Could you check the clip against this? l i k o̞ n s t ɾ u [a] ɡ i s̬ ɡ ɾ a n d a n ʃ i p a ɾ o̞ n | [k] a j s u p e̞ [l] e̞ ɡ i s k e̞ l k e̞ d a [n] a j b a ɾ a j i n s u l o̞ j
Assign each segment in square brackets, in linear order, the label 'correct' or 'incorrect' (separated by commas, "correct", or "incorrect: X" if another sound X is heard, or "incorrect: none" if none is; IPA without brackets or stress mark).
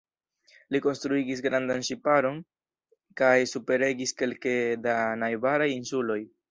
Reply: incorrect: i, correct, incorrect: ɾ, correct